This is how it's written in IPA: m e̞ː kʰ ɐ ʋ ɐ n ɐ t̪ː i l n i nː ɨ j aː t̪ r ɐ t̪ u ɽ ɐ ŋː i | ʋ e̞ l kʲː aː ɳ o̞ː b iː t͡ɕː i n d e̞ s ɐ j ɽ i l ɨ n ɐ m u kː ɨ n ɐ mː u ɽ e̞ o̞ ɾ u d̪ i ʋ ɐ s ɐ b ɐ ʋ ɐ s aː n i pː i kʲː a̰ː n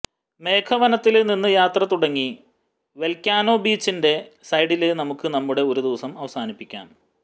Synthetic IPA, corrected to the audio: m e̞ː kʰ ɐ ʋ ɐ n ɐ t̪ː i l n i nː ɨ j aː t̪ r ɐ t̪ u ɽ ɐ ŋː i | ʋ e̞ l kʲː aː n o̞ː b iː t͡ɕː i n d e̞ s ɐ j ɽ i l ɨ n ɐ m u kː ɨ n ɐ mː u ɽ e̞ o̞ ɾ u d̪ i ʋ ɐ s ɐ m ɐ ʋ ɐ s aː n i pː i kʲː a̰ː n

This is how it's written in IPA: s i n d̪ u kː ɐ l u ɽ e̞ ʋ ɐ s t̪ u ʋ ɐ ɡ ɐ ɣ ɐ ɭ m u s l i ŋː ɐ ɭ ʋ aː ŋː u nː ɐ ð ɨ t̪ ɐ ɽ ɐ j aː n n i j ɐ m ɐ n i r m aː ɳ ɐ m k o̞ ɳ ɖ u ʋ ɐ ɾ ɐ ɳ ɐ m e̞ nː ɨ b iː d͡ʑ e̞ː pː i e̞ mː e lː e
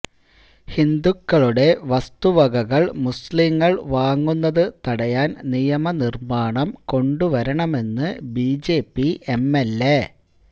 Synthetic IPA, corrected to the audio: h i n d̪ u kː ɐ ɭ u ɽ e̞ ʋ ɐ s t̪ u ʋ ɐ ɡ ɐ ɣ ɐ ɭ m u s l i ŋː ɐ ɭ ʋ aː ŋː u nː ɐ ð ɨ t̪ ɐ ɽ ɐ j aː n n i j ɐ m ɐ n i r m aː ɳ ɐ m k o̞ ɳ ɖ u ʋ ɐ ɾ ɐ ɳ ɐ m e̞ nː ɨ b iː d͡ʑ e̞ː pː i e̞ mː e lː e

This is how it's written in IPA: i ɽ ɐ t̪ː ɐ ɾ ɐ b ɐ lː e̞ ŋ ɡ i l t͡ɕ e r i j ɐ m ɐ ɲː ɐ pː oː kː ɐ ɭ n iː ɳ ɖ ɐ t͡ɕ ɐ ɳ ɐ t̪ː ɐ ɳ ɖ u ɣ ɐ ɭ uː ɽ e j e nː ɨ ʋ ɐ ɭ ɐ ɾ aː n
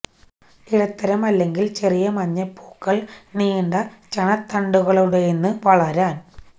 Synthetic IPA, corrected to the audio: i ɽ ɐ t̪ː ɐ ɾ ɐ m ɐ lː e̞ ŋ ɡ i l t͡ɕ e r i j ɐ m ɐ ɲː ɐ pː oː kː ɐ ɭ n iː ɳ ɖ ɐ t͡ɕ ɐ ɳ ɐ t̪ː ɐ ɳ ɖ u ɣ ɐ ɭ u ɽ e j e nː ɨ ʋ ɐ ɭ ɐ ɾ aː n

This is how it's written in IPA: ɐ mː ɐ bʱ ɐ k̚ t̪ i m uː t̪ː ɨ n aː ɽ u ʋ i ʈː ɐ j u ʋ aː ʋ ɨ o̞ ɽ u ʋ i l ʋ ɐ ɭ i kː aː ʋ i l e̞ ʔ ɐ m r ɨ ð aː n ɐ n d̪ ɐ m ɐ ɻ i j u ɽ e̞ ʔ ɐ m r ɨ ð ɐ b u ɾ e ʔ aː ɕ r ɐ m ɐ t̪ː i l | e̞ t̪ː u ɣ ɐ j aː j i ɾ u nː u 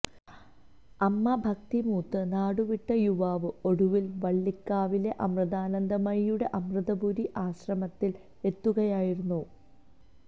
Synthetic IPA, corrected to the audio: ɐ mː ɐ bʱ ɐ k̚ t̪ i m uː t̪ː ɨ n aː ɽ u ʋ i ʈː ɐ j u ʋ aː ʋ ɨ o̞ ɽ u ʋ i l ʋ ɐ ɭː i kː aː ʋ i l e̞ ʔ ɐ m r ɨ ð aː n ɐ n d̪ ɐ m ɐ ɻ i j u ɽ e̞ ʔ ɐ m r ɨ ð ɐ b u ɾ i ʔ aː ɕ r ɐ m ɐ t̪ː i l | e̞ t̪ː u ɣ ɐ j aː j i ɾ u nː u

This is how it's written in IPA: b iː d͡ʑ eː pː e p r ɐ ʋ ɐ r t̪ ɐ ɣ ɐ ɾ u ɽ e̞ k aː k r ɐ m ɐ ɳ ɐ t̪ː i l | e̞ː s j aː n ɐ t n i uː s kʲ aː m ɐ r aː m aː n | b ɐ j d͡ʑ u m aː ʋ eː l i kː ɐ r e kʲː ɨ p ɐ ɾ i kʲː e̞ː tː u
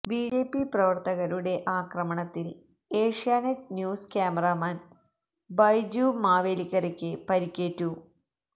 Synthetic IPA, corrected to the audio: b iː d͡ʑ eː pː i p r ɐ ʋ ɐ r t̪ ɐ ɣ ɐ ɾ u ɽ e̞ ʔ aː k r ɐ m ɐ ɳ ɐ t̪ː i l | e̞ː ʂ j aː n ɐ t n j uː s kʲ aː m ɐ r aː m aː n | b ɐ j d͡ʑ u m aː ʋ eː l i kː ɐ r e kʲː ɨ p ɐ ɾ i kʲː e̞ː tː u

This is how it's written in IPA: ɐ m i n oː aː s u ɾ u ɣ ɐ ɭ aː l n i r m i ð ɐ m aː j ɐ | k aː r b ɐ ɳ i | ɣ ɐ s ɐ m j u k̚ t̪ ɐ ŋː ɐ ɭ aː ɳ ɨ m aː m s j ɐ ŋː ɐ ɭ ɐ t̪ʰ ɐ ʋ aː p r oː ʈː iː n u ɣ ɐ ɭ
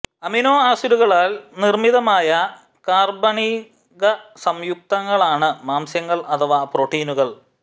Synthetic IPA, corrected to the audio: ɐ m i n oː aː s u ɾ u ɣ ɐ ɭ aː l n i r m i ð ɐ m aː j ɐ | k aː r b ɐ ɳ i | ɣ ɐ s ɐ m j u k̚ t̪ ɐ ŋː ɐ ɭ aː ɳ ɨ m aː m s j ɐ ŋː ɐ ɭ ɐ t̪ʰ ɐ ʋ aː p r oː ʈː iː n u ɣ ɐ ɭ

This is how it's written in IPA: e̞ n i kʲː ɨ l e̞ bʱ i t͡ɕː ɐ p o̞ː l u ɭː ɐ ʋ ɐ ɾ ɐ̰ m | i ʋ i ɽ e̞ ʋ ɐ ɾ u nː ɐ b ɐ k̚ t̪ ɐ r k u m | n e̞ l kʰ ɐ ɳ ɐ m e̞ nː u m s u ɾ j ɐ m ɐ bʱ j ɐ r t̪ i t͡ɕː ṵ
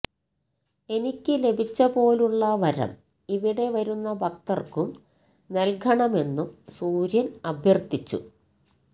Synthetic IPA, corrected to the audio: e̞ n i kʲː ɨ l e̞ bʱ i t͡ɕː ɐ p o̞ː l u ɭː ɐ ʋ ɐ ɾ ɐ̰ m | i ʋ i ɽ e̞ ʋ ɐ ɾ u nː ɐ b ɐ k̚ t̪ ɐ r k u m | n e̞ l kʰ ɐ ɳ ɐ m e̞ nː u m s uː ɾ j ɐ n ɐ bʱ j ɐ r t̪ i t͡ɕː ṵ

